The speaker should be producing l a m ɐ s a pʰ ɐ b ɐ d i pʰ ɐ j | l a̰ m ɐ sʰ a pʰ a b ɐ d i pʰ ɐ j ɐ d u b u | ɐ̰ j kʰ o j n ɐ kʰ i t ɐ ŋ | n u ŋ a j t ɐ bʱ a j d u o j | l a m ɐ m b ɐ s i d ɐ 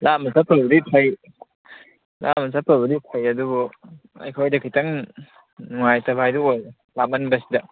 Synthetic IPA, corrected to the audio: l a m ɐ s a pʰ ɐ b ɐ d i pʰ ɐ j | l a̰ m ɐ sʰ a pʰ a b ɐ d i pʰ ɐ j ɐ d u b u | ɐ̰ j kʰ o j d ɐ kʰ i t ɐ ŋ | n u ŋ a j t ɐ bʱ a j d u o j | l a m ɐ n b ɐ s i d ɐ